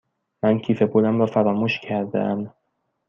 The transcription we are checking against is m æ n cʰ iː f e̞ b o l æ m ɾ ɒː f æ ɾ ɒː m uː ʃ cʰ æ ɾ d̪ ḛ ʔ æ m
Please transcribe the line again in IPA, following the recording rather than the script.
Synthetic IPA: m æ n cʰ iː f e̞ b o l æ m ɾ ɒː f æ ɾ ɒː m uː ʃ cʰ æ ɾ d̪ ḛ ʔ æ m